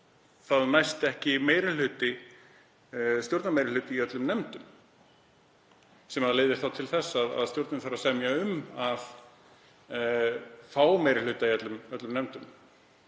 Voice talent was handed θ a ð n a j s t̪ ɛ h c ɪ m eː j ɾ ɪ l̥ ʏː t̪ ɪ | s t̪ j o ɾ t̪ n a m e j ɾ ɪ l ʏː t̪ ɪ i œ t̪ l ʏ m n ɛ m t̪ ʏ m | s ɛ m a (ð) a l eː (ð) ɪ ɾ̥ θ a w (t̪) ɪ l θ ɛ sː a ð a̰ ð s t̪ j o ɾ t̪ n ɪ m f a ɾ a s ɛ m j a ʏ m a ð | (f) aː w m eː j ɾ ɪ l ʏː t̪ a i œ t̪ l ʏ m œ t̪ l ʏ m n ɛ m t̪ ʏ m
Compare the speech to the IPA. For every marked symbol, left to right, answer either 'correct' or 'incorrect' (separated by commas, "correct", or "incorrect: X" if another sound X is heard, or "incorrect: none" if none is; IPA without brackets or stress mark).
correct, correct, incorrect: t̪ʰ, correct